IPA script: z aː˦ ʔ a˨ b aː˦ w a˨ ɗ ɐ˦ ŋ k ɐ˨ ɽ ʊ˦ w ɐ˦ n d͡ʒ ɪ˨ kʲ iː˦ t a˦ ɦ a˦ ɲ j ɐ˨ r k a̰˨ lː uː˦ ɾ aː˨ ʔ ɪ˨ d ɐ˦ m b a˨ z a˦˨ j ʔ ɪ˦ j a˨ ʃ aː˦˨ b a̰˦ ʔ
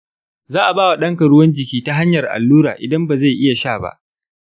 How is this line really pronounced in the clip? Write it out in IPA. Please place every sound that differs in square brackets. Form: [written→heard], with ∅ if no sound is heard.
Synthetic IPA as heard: z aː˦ ʔ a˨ b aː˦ w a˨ ɗ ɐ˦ ŋ k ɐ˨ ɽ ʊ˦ w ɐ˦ n d͡ʒ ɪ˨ kʲ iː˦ t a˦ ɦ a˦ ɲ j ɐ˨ r [k→ʔ] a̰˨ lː uː˦ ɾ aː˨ ʔ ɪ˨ d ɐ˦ m b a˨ z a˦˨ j ʔ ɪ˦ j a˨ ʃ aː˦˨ b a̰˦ ʔ